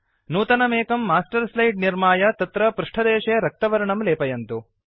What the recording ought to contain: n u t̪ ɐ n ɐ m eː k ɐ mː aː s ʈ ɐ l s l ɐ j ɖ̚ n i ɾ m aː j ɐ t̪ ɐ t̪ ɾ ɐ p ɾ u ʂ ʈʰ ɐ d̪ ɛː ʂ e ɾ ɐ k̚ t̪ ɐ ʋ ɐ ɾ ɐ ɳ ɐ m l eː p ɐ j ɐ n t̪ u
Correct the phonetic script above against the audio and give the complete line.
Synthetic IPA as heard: n uː t̪ ɐ n ɐ m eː k ɐ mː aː s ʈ ɐ ɾ s l ɐ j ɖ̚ n i ɾ m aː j ɐ t̪ ɐ t̪ ɾ ɐ p ɾ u ʂ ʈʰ ɐ d̪ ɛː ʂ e ɾ ɐ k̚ t̪ ɐ ʋ ɐ ɾ ɐ ɳ ɐ m l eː p ɐ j ɐ n t̪ u